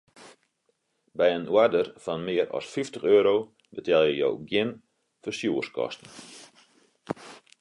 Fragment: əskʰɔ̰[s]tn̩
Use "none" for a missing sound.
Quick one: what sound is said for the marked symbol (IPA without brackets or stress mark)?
s